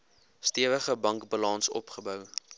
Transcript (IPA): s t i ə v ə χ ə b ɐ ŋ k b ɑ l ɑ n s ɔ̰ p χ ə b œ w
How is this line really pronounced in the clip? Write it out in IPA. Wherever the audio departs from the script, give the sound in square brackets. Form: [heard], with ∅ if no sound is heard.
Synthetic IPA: s t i ə v ə χ ə b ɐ ŋ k b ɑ l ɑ n s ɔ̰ p χ ə b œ w

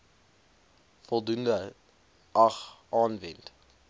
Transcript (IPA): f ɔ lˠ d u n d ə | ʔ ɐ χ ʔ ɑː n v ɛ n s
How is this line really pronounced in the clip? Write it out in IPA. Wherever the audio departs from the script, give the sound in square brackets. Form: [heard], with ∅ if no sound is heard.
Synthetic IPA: f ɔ lˠ d u n d ə | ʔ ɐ χ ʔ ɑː n v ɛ n [t]

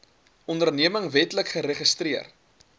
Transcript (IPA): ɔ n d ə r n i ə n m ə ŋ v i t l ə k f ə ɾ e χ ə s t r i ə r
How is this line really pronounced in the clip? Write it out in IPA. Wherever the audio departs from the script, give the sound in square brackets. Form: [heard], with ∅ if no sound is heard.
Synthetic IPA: ɔ n d ə r n i ə [∅] m ə ŋ v [ɛ] t l ə k [χ] ə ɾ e χ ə s t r i ə r

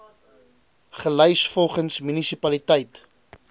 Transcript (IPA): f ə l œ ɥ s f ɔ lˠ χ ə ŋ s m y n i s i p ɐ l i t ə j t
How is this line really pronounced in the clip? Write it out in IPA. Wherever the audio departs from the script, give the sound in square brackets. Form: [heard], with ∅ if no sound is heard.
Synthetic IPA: [χ] ə l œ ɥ s f ɔ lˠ χ ə [n] s m y n i s i p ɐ l i t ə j t

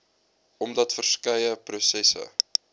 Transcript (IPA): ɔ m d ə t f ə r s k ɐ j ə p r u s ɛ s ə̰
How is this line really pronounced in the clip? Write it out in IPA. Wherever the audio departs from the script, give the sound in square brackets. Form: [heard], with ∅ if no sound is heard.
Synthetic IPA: ɔ m d [ɐ] t f ə r s k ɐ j ə p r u s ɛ s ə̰

